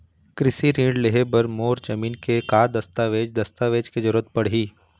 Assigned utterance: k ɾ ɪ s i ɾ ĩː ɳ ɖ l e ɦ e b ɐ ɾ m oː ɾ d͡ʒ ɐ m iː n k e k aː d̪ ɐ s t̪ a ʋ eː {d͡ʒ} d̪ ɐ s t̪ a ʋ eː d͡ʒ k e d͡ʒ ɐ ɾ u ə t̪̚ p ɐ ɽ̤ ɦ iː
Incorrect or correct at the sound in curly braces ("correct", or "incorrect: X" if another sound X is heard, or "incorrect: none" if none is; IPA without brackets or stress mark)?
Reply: correct